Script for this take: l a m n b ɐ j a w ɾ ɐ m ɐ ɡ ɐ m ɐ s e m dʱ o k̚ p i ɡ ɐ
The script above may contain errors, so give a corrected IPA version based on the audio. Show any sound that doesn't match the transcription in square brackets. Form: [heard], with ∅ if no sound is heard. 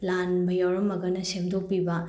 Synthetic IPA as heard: l a [∅] n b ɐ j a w ɾ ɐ m ɐ ɡ ɐ [n] ɐ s e m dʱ o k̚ p i [b] ɐ